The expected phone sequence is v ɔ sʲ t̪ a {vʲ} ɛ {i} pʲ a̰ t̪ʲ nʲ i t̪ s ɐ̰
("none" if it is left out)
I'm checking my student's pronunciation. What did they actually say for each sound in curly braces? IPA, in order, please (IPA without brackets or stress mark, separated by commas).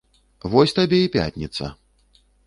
bʲ, i